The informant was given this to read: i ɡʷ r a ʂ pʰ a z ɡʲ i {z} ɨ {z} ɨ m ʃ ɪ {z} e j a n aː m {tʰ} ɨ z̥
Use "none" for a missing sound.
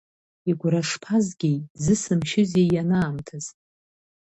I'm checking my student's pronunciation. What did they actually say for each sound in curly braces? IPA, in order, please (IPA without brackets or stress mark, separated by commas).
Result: z, s, z, tʰ